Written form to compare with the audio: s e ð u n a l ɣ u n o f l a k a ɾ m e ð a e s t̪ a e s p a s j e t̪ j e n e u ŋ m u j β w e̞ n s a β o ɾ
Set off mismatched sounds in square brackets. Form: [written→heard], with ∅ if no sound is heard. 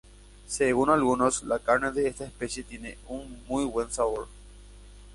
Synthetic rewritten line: s e [ð→ɣ] u n a l ɣ u n o [f→s] l a k a ɾ [m→n] e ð [a→e] e s t̪ a e s p [a→e] s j e t̪ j e n e u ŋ m u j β w e̞ n s a β o ɾ